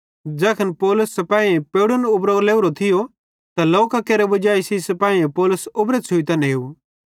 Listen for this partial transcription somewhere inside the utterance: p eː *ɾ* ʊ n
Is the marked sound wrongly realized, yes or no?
yes